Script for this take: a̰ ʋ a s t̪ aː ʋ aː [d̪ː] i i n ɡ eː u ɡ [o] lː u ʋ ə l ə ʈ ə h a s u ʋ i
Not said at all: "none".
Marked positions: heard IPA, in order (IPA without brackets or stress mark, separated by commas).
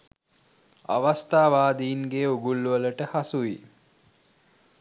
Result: d̪, u